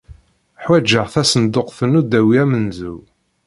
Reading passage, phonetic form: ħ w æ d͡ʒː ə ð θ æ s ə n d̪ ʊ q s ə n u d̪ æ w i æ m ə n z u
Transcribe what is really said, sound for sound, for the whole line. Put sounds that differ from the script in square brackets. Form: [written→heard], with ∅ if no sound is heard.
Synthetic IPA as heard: ħ w æ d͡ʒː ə [ð→ʁ] θ æ s ə n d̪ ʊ q [s→θ] ə n u d̪ æ w i æ m ə n z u